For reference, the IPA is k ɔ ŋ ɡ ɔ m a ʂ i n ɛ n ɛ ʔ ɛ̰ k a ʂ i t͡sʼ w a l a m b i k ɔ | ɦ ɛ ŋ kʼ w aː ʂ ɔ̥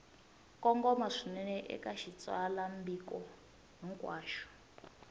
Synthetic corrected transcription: k ɔ ŋ ɡ ɔ m a ʂ i n ɛ n ɛ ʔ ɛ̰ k a ʃ i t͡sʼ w a l a m b i k ɔ | ɦ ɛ ŋ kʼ w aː ʃ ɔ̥